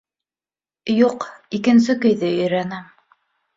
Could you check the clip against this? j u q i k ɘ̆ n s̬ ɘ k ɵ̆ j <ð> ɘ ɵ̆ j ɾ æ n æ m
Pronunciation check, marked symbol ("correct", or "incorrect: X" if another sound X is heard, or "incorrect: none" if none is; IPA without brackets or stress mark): correct